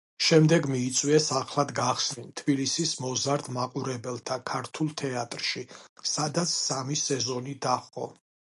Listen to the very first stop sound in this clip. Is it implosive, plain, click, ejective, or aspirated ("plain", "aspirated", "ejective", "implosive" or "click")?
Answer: plain